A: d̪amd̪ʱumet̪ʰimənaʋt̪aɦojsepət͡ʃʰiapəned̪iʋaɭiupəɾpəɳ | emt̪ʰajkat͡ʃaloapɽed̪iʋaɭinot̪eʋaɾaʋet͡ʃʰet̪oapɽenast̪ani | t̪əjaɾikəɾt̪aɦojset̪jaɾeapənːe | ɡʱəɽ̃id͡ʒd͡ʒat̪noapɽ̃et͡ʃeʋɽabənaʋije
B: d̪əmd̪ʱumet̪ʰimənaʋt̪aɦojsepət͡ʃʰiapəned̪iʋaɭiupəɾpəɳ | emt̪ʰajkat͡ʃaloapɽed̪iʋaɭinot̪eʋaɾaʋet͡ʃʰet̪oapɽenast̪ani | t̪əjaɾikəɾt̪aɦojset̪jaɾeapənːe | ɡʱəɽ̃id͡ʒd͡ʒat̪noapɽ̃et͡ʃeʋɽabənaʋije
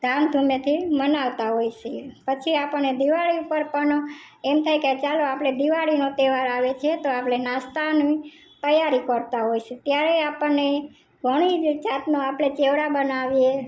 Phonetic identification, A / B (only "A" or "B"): A